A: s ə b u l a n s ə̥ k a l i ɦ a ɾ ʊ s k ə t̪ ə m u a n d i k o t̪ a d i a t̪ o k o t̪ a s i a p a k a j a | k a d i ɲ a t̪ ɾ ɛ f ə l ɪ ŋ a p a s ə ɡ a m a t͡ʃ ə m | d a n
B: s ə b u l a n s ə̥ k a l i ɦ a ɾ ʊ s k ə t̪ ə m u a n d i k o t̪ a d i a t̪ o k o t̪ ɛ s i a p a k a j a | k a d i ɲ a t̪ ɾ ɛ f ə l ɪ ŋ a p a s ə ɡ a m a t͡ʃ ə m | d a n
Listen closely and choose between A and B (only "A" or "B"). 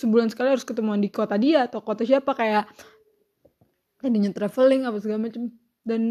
A